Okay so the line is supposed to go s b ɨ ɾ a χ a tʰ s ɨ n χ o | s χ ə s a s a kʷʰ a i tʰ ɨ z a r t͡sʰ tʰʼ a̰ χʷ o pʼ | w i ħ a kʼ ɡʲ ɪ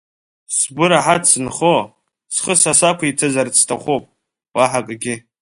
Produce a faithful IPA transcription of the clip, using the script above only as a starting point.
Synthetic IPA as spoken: s b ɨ ɾ a ħ a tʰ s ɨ n χ o | s χ ə s a s a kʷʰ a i tʰ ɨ z a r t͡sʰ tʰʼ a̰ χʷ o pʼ | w a ħ a kʼ ɡʲ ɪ